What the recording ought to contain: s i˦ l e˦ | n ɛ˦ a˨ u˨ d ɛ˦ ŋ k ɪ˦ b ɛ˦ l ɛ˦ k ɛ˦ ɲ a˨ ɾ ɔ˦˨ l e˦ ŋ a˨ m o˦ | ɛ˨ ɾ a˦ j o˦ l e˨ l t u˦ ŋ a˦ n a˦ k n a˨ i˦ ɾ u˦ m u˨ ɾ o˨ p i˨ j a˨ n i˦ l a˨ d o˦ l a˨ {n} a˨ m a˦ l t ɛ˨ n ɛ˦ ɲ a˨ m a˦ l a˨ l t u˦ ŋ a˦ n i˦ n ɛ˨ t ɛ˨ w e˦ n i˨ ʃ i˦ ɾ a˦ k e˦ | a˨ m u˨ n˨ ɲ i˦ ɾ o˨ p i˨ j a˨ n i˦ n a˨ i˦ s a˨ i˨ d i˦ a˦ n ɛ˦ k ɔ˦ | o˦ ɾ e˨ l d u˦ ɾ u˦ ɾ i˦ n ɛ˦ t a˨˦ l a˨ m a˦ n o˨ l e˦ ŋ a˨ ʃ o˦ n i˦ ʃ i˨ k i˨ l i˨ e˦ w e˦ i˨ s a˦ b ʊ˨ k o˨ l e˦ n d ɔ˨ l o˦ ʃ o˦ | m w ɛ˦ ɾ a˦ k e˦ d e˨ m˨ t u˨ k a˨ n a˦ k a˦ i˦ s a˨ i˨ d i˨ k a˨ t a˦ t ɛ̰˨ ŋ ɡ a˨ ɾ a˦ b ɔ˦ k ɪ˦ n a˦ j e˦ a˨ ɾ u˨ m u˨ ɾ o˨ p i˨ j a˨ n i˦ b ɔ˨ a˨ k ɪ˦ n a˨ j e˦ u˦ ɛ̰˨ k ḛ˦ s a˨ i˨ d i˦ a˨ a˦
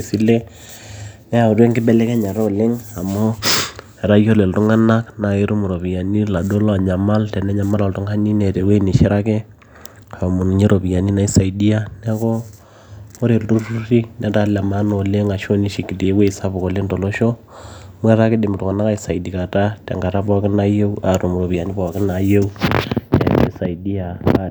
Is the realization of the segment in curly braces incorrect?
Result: yes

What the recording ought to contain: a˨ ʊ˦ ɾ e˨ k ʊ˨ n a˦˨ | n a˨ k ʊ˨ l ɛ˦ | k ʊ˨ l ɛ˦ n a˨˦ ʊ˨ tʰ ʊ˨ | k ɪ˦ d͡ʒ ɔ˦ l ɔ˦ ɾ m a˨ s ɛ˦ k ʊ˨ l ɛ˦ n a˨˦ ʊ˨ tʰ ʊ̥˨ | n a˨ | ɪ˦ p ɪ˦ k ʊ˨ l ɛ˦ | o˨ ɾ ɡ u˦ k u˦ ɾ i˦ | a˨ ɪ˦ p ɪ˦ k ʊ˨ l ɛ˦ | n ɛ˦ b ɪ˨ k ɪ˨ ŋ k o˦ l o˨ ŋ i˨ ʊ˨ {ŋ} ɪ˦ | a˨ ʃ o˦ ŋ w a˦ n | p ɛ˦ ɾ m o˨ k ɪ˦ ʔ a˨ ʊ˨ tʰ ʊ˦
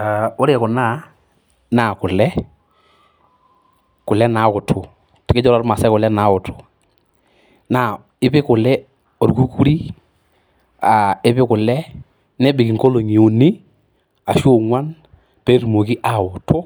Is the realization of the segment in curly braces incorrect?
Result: yes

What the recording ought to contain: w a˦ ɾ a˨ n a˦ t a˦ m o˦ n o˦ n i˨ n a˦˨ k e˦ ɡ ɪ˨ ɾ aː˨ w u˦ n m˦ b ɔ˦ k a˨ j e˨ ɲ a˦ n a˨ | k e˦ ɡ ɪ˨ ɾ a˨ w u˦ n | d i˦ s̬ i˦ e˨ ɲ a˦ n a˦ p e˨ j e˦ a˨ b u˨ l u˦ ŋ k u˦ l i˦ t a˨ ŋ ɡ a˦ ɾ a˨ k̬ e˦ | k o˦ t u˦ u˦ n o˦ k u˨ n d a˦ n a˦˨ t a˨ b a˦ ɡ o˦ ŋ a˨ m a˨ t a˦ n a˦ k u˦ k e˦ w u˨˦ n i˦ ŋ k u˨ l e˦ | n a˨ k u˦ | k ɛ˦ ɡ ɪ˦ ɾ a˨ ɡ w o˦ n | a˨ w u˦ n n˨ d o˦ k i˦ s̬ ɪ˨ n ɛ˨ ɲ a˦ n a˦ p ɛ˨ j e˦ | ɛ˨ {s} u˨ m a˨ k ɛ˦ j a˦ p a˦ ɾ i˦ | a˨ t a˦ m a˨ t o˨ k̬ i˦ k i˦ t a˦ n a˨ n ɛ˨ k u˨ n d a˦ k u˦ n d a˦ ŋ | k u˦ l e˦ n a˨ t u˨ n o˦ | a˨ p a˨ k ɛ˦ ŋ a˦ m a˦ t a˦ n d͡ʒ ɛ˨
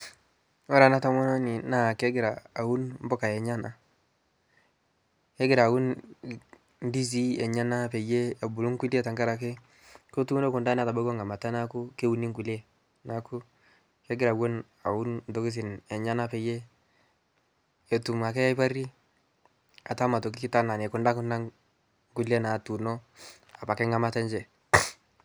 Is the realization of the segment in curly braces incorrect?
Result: yes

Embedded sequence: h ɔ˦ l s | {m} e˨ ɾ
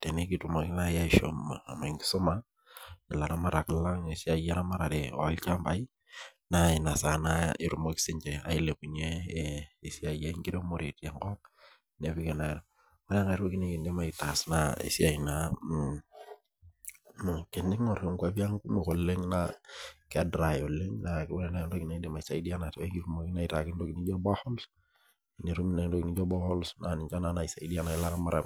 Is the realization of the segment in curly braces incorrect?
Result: yes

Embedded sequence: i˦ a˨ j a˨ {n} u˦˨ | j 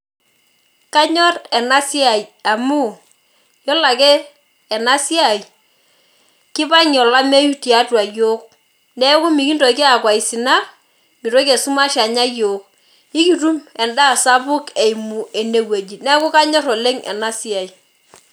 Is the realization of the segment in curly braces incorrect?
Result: yes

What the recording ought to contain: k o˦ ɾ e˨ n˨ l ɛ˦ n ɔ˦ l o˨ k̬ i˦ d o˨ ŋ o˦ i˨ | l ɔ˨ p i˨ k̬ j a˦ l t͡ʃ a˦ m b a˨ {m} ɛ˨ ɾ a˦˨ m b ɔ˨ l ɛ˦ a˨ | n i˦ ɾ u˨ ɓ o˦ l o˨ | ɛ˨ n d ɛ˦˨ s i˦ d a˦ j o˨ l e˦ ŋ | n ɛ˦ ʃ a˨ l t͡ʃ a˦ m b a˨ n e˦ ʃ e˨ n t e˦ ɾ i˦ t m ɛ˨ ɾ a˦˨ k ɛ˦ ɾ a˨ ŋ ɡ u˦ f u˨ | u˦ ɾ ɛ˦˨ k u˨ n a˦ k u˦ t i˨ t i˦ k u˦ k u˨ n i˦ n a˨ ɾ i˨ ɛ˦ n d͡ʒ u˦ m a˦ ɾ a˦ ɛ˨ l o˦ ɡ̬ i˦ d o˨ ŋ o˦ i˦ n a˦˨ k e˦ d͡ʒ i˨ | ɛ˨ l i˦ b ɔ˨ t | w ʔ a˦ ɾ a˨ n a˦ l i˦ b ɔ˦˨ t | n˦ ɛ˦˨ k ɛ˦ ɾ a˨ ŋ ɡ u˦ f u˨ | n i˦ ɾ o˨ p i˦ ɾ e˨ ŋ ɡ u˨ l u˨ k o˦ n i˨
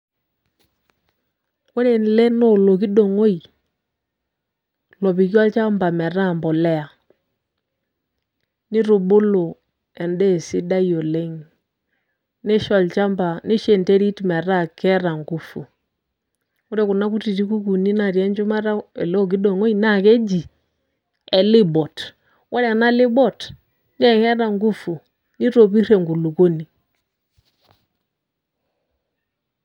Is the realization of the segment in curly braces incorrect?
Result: no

